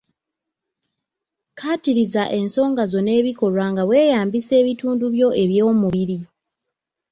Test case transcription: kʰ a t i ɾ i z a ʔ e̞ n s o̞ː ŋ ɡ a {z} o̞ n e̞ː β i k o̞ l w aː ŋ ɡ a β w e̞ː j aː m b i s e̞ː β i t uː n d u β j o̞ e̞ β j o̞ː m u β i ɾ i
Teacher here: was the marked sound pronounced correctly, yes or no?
yes